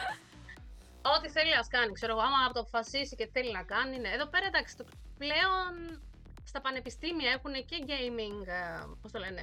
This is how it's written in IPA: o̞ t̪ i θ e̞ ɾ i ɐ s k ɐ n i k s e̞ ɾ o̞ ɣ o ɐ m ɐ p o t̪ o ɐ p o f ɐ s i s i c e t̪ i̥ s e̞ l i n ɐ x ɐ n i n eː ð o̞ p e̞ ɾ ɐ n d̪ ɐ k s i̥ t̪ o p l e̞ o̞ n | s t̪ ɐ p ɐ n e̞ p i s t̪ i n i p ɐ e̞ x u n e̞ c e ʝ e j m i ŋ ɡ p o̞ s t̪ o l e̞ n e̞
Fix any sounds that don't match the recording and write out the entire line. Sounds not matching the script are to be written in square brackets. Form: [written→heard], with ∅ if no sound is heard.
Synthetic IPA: o̞ t̪ i θ e̞ [ɾ→l] i ɐ s k ɐ n i k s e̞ ɾ o̞ ɣ o ɐ m ɐ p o t̪ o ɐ p o f ɐ s i s i c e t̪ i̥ [s→θ] e̞ l i n ɐ [x→k] ɐ n i n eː ð o̞ p e̞ ɾ ɐ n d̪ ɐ k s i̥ t̪ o p l e̞ o̞ n | s t̪ ɐ p ɐ n e̞ p i s t̪ i [n→m] i [p→∅] ɐ e̞ x u n e̞ c e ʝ e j m i ŋ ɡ p o̞ s t̪ o l e̞ n e̞